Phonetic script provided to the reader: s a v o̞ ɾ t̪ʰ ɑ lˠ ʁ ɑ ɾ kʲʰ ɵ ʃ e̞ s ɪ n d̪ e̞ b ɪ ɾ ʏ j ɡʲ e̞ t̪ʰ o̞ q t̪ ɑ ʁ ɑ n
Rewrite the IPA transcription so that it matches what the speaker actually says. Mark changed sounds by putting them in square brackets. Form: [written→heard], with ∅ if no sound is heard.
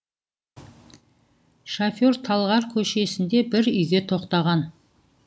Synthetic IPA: [s→ʃ] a [v→f] o̞ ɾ t̪ʰ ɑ lˠ ʁ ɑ ɾ kʲʰ ɵ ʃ e̞ s ɪ n d̪ e̞ b ɪ ɾ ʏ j ɡʲ e̞ t̪ʰ o̞ q t̪ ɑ ʁ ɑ n